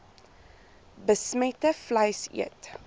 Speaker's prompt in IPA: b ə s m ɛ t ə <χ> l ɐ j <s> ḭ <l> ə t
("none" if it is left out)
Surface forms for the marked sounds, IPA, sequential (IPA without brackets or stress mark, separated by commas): f, s, none